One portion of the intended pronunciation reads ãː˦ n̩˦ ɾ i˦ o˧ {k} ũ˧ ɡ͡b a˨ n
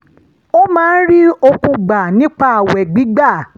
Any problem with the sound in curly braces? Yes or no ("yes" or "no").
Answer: no